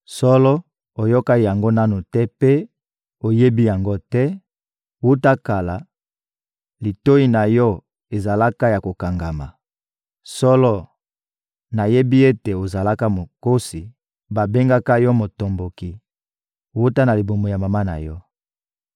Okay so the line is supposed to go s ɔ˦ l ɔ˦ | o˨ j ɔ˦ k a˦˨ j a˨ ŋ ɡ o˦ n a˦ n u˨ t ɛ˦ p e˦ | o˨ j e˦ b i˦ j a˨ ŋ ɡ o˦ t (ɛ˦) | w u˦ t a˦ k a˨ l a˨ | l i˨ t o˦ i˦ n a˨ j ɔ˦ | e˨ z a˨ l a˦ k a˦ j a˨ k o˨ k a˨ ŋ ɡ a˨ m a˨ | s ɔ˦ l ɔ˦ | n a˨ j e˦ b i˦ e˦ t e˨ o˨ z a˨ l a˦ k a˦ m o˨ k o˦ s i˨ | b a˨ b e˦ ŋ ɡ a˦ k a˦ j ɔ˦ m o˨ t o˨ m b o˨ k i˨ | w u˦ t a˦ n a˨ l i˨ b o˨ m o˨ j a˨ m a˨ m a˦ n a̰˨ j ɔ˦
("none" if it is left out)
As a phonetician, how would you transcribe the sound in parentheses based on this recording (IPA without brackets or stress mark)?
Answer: ɛ˦